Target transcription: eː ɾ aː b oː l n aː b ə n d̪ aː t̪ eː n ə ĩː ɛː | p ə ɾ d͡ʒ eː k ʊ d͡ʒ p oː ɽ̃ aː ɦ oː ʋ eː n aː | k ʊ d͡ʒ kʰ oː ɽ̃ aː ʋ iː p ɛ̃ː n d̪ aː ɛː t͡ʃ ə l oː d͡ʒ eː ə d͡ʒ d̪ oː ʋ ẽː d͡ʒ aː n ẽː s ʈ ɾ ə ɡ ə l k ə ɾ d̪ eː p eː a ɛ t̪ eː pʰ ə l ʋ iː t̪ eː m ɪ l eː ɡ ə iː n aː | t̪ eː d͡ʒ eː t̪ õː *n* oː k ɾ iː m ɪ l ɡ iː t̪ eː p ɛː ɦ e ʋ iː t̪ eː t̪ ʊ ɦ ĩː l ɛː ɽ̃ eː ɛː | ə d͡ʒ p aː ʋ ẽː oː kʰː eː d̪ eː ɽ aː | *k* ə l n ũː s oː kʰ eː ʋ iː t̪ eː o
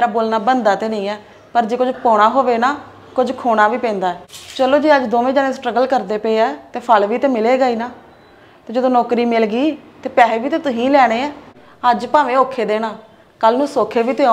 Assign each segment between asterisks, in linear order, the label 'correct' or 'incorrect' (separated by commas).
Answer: correct, correct